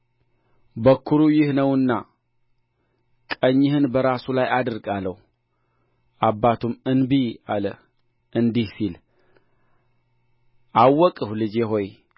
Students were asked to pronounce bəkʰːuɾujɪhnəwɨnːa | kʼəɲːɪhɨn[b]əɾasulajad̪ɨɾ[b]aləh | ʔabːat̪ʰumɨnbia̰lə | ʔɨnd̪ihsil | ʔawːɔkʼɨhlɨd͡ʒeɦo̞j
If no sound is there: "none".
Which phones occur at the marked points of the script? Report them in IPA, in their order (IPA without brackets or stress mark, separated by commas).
b, ɡ